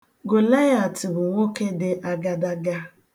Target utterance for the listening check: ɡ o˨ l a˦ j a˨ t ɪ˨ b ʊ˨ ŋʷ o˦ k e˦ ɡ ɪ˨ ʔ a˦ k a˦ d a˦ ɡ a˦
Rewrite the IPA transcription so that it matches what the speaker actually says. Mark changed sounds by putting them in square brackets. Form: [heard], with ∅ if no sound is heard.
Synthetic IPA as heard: ɡ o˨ l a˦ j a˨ t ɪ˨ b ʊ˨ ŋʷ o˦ k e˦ [d] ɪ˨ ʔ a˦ [ɡ] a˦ d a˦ ɡ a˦

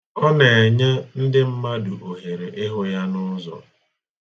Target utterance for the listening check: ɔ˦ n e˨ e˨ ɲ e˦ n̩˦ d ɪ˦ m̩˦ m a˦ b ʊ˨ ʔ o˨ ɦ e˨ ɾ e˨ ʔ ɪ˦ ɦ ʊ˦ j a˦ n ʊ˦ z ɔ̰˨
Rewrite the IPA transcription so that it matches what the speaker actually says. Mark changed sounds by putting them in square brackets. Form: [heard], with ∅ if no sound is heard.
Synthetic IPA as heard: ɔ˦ n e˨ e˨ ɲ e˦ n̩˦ d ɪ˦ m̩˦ m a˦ [d] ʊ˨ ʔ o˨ ɦ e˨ ɾ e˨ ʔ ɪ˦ ɦ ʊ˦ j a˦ n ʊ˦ z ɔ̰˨

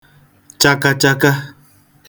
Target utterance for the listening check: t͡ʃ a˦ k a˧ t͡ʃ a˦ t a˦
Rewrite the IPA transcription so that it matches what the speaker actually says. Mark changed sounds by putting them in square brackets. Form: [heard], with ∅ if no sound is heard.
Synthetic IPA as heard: t͡ʃ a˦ k a˧ t͡ʃ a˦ [k] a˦

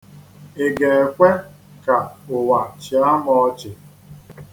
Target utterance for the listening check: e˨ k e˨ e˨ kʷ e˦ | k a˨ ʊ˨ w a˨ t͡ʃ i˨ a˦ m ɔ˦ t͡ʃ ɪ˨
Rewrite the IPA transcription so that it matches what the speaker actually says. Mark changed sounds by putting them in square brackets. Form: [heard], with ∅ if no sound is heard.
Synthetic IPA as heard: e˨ [ɡ] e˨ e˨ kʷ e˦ | k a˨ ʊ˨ w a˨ t͡ʃ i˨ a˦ m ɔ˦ t͡ʃ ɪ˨

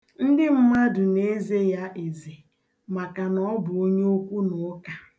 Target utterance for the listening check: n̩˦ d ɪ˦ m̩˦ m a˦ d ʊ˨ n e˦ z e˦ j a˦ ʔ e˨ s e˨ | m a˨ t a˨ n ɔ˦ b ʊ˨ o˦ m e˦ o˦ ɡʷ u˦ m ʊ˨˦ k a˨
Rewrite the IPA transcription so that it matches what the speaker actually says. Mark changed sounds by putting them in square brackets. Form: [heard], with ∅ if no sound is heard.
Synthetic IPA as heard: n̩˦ d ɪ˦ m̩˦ m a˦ d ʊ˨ n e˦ z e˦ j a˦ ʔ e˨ [z] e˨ | m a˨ [k] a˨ n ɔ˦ b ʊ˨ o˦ [ɲ] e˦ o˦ [kʷ] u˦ [n] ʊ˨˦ k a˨

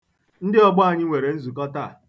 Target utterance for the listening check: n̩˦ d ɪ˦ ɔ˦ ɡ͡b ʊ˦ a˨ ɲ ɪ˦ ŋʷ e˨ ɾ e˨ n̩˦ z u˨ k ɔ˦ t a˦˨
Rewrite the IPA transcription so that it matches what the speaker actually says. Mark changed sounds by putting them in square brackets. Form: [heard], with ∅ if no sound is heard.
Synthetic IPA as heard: n̩˦ d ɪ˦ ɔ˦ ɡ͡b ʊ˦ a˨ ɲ ɪ˦ ŋʷ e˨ ɾ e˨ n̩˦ z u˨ k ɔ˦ t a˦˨

